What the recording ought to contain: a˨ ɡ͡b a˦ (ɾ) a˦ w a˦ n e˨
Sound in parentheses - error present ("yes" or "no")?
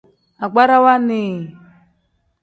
no